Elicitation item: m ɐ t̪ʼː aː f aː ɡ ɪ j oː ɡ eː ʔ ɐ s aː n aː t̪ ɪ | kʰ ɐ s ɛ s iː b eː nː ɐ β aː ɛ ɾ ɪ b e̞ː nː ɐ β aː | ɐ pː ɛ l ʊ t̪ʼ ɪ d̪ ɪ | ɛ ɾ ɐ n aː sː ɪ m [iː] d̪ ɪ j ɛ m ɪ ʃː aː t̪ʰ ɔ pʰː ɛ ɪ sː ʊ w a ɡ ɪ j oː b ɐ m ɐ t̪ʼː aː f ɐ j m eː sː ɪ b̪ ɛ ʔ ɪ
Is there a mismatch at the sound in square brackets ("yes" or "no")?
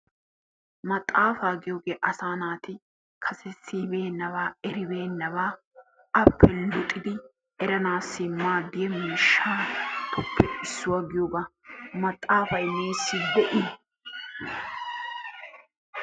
yes